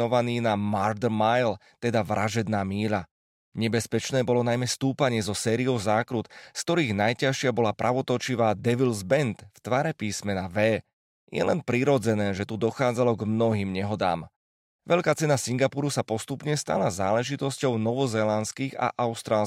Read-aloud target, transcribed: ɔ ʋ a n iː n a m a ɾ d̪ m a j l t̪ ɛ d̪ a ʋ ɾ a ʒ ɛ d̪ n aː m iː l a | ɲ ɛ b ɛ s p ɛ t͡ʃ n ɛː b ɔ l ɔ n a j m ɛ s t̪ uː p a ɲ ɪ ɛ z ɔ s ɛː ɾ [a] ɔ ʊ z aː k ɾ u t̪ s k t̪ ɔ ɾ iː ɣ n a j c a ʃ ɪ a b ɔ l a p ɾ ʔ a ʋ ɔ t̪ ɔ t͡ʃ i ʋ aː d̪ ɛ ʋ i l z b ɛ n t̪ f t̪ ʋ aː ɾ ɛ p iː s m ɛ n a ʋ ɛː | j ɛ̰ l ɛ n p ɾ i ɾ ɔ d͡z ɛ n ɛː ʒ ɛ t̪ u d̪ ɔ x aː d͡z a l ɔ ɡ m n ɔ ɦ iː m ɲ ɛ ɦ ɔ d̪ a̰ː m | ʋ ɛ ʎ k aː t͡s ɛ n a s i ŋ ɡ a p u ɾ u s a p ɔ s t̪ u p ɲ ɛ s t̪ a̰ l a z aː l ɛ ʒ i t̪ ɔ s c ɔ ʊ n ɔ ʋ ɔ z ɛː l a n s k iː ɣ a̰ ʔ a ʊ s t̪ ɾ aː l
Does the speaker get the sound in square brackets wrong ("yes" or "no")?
yes